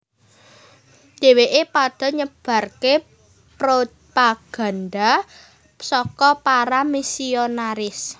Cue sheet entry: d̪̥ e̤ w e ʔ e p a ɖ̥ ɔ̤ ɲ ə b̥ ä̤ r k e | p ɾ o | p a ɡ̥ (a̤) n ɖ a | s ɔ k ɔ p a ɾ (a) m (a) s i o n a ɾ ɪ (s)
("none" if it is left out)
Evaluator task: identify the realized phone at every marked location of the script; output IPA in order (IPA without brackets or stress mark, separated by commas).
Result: a̤, a, i, s